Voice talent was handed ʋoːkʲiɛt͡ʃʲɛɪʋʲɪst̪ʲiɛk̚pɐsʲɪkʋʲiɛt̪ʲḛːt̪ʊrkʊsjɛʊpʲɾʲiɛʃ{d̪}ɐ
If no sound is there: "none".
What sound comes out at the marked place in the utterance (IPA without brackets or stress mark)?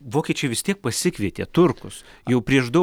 d̪